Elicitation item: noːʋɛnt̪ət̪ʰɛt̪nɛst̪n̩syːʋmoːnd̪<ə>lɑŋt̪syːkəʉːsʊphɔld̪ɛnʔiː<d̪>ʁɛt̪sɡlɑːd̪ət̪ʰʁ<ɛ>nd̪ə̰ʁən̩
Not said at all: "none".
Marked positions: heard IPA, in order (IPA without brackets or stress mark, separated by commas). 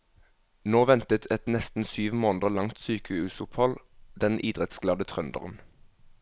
ə, d̪, œ